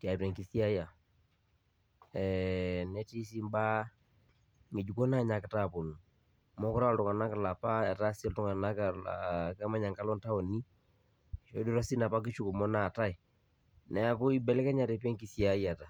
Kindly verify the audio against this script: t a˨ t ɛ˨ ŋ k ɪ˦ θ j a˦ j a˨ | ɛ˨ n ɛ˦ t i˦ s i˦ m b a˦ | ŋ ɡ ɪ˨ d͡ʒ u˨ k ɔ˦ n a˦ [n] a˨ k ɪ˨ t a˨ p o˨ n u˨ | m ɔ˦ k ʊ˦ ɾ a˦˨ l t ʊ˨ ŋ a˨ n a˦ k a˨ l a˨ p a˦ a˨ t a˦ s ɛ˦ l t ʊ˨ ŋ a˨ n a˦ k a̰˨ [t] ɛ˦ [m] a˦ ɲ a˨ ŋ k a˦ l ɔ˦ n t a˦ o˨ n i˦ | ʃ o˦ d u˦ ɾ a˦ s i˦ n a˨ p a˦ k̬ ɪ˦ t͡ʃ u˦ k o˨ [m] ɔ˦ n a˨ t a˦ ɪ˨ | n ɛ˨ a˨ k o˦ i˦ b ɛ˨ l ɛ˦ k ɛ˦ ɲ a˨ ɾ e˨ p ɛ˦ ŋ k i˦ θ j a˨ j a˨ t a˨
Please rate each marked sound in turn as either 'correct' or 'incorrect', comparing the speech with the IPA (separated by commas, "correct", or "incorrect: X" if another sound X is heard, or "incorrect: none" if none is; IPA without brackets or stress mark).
incorrect: ɲ, incorrect: k, correct, correct